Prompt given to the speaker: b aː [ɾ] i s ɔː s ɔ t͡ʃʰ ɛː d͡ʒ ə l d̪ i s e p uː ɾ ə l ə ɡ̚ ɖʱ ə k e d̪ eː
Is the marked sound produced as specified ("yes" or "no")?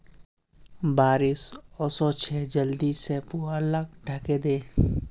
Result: yes